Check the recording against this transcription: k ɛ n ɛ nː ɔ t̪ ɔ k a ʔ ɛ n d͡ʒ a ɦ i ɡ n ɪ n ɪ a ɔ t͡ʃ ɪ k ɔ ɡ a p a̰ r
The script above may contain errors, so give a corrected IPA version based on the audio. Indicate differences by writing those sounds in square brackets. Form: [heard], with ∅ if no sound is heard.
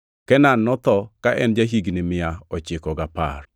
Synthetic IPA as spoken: k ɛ n [a] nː ɔ t̪ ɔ k a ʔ ɛ n d͡ʒ a ɦ i ɡ n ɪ [m] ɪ a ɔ t͡ʃ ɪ k ɔ ɡ a p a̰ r